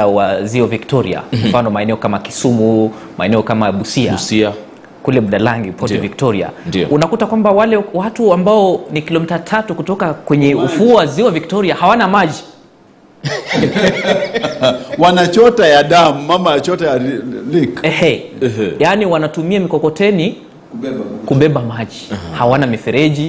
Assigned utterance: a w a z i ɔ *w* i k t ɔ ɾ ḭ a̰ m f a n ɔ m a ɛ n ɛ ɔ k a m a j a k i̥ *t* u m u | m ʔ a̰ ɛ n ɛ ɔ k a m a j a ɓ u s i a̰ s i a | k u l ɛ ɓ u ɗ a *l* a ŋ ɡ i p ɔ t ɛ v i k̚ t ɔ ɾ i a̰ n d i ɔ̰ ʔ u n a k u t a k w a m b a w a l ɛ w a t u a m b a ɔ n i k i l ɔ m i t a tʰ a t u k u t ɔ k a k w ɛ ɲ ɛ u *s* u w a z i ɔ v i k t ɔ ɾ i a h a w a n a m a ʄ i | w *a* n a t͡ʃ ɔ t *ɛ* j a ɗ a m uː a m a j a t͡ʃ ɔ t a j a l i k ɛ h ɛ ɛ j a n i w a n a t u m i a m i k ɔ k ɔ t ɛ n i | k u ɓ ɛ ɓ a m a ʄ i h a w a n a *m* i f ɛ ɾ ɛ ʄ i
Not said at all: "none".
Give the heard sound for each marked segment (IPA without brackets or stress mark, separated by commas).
v, s, l, f, a, a, m